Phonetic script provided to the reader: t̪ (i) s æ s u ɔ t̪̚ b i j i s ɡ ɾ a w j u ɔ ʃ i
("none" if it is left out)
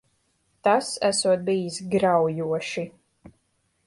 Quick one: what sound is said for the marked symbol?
a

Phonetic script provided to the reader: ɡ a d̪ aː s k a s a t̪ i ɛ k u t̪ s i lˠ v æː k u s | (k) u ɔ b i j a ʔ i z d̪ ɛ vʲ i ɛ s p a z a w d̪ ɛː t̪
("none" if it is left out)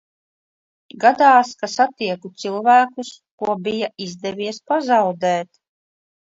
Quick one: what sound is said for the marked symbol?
k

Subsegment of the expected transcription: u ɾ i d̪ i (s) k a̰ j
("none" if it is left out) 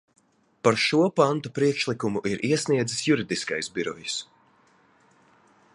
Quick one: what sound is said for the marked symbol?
s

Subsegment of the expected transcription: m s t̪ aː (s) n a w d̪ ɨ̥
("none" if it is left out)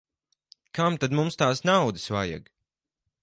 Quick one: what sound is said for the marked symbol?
s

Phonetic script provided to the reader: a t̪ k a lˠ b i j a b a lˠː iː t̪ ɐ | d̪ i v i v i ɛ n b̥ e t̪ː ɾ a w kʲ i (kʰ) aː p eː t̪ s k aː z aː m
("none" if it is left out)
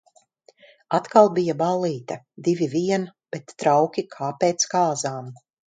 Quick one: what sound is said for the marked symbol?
kʰ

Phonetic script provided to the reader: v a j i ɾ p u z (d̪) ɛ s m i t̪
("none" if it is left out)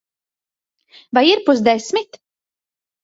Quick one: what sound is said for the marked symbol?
d̪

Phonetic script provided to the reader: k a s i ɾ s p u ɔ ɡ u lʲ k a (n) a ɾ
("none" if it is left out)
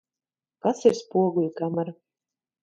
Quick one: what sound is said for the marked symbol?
m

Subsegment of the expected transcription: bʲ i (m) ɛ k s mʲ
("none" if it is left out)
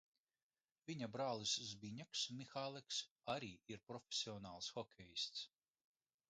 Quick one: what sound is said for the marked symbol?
ɲ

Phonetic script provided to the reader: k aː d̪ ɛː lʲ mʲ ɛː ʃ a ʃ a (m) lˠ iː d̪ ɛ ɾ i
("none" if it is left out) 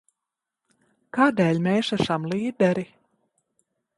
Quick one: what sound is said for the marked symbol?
m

